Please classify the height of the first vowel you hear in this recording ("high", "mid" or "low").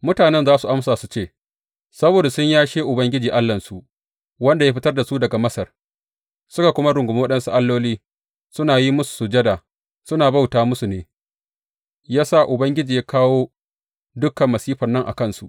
high